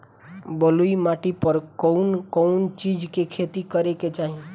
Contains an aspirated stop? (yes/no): yes